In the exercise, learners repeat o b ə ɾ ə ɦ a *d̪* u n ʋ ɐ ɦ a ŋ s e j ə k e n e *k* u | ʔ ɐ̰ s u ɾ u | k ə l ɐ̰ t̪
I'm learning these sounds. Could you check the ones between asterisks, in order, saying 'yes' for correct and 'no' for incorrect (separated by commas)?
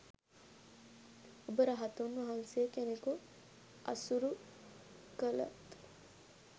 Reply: no, yes